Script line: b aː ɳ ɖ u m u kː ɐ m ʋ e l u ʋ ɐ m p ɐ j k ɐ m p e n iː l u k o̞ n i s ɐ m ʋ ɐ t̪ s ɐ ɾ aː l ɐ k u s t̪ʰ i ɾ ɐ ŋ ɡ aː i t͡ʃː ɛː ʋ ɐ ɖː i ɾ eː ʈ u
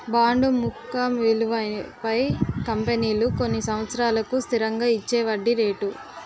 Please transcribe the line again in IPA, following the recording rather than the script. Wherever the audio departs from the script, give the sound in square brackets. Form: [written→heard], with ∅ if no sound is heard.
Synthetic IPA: b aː ɳ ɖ u m u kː ɐ m ʋ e l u ʋ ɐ [m→∅] p ɐ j k ɐ m p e n iː l u k o̞ [n→nː] i s ɐ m ʋ ɐ t̪ s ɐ ɾ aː l ɐ k u s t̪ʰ i ɾ ɐ ŋ ɡ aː i t͡ʃː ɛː ʋ ɐ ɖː i ɾ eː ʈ u